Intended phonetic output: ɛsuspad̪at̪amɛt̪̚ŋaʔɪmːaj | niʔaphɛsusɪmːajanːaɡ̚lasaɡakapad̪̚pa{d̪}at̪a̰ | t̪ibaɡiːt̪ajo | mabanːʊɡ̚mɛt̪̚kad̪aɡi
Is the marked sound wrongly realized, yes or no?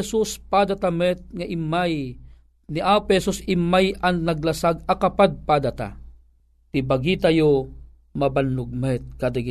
no